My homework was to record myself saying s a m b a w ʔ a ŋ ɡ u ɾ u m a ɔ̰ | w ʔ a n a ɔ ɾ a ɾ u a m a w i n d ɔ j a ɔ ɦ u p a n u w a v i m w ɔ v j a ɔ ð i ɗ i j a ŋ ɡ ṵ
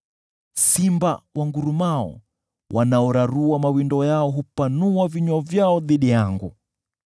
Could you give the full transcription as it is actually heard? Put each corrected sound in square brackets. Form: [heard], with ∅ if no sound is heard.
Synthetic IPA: s [i] m b a w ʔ a ŋ ɡ u ɾ u m a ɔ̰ | w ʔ a n a ɔ ɾ a ɾ u a m a w i n d ɔ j a ɔ ɦ u p a n u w a v i [ɲ] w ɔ v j a ɔ ð i ɗ i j a ŋ ɡ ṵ